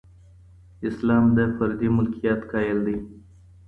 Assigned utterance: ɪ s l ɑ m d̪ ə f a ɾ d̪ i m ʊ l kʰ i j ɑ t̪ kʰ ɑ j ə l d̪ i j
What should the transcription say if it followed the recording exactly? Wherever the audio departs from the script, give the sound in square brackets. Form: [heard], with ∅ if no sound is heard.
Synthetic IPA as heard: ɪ s l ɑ m d̪ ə f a ɾ d̪ i m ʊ l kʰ i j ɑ t̪ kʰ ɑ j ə l d̪ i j